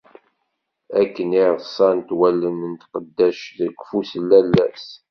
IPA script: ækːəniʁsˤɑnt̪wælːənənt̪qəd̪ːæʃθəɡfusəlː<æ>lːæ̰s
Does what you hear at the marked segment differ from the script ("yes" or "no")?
no